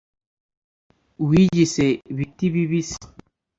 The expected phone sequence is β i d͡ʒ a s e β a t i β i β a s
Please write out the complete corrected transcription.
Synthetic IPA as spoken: w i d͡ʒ i s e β i t i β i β i s